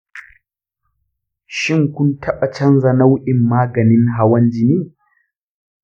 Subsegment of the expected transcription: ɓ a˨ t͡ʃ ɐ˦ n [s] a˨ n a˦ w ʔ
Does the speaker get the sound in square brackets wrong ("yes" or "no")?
yes